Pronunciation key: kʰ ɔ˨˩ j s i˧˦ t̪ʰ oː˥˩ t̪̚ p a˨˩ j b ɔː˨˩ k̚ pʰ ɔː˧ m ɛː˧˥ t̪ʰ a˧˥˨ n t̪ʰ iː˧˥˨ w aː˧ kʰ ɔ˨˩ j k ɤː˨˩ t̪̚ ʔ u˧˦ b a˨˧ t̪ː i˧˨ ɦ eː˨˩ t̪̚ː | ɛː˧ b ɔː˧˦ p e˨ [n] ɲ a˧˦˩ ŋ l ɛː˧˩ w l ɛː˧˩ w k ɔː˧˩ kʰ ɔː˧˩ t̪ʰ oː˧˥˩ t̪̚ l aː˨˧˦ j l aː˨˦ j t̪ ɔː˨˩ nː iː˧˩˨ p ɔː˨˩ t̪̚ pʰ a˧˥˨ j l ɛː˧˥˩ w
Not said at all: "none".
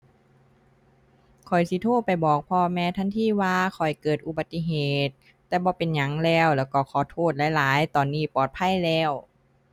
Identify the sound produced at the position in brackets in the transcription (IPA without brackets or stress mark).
n